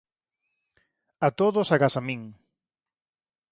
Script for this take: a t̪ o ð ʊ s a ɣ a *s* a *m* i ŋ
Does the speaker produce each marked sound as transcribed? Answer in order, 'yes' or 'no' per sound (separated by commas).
yes, yes